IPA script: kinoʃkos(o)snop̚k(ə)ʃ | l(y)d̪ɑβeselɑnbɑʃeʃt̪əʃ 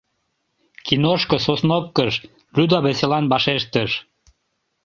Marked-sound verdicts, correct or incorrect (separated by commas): correct, correct, correct